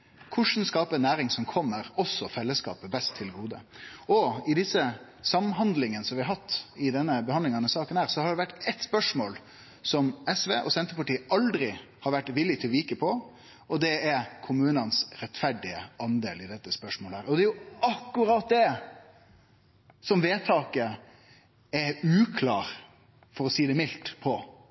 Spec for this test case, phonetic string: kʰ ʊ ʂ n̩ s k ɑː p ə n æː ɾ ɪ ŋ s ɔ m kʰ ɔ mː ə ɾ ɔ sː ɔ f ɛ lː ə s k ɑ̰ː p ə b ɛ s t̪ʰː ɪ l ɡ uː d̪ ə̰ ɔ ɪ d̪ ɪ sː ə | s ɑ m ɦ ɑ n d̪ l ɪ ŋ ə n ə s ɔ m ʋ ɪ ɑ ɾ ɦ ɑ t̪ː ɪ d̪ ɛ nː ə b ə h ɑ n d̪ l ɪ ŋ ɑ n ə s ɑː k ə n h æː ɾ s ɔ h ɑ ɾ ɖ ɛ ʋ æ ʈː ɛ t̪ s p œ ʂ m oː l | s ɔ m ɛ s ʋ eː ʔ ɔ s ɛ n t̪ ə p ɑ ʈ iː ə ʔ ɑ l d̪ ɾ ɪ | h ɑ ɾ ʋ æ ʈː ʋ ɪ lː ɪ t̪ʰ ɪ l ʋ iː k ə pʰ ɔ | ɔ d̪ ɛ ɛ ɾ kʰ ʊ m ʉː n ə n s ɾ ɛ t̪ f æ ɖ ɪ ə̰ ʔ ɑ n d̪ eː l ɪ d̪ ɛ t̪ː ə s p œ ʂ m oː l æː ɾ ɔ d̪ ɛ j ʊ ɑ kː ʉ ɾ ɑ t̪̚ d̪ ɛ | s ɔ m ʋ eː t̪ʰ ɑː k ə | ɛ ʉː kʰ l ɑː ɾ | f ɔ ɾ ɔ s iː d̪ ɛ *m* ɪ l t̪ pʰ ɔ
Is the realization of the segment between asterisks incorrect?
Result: no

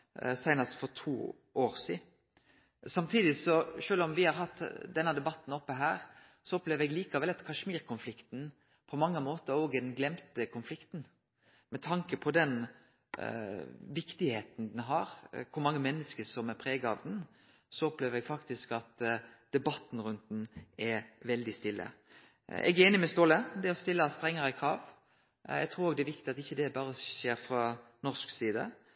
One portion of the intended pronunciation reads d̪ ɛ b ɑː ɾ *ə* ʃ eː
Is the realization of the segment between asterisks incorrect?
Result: no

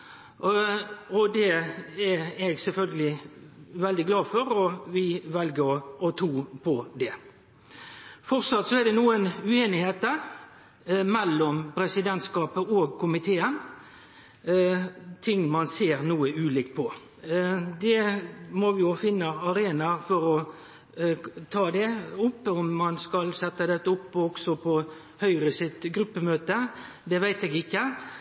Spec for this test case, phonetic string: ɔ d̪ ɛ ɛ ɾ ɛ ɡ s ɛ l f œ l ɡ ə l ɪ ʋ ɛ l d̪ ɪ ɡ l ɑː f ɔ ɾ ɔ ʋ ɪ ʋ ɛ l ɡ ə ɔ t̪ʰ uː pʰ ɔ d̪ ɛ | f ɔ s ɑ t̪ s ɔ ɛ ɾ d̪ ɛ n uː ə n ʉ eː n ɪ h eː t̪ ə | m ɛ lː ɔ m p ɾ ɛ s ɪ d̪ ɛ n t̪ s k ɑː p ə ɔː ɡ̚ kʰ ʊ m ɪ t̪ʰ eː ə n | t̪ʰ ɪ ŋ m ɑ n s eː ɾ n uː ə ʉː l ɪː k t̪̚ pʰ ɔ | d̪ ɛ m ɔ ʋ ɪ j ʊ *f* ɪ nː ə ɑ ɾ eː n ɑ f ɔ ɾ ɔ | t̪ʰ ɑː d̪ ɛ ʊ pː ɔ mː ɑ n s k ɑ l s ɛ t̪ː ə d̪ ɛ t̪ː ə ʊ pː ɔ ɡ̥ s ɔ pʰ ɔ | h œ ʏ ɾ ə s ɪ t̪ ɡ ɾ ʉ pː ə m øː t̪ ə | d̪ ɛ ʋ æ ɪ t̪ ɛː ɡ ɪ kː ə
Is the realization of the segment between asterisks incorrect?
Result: no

